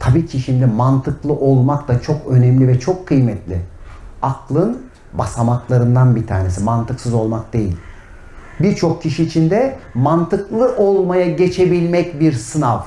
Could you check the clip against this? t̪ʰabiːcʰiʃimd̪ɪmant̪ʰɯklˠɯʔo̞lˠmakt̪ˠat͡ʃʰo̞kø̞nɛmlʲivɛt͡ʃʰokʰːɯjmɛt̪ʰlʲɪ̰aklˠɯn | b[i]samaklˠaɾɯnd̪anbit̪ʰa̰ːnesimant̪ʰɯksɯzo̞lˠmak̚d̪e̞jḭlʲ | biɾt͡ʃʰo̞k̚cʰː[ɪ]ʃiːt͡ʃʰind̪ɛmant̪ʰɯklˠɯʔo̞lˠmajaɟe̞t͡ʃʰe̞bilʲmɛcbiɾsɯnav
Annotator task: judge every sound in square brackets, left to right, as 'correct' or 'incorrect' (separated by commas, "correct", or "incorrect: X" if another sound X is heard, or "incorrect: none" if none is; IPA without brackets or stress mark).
incorrect: a, incorrect: i